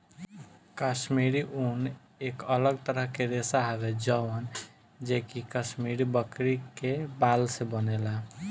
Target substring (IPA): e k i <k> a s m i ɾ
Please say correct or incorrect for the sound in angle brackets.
correct